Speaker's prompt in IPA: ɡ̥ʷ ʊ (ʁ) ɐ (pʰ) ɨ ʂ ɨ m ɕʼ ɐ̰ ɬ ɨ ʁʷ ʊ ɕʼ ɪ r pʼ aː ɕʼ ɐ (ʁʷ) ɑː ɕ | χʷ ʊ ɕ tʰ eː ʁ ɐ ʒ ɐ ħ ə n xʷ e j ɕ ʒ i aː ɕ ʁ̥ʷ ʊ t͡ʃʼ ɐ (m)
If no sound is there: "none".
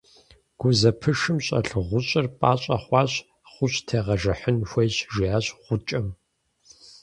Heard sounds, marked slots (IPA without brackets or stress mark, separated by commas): z, pʰ, χʷ, m